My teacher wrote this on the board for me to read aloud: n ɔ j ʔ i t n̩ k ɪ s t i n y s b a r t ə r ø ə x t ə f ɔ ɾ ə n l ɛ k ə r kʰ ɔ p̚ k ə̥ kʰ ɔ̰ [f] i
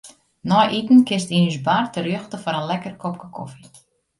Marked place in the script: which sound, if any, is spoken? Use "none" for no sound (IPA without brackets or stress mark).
f